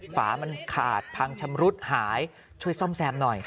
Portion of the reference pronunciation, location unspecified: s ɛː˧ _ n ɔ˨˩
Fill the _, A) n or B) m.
B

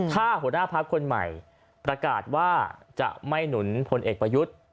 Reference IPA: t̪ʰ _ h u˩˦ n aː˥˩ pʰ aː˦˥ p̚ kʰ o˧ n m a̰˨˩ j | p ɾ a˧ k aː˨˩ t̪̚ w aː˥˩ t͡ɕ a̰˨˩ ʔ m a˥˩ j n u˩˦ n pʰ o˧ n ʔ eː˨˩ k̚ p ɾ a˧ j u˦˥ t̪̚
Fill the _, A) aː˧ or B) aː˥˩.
B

